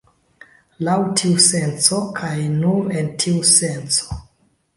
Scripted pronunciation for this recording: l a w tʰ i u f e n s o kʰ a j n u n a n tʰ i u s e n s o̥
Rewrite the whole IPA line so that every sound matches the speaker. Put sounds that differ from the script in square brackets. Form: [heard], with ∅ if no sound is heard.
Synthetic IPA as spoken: l a w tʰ i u [s] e n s o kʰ a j n u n [e] n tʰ i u s e n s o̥